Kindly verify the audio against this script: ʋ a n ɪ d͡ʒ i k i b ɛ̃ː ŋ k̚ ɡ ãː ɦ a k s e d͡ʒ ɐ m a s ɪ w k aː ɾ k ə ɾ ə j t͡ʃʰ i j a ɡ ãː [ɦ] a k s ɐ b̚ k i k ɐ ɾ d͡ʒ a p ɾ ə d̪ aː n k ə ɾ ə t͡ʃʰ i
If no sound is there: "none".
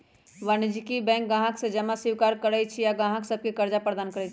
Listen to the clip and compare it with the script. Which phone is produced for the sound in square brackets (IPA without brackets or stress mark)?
ɦ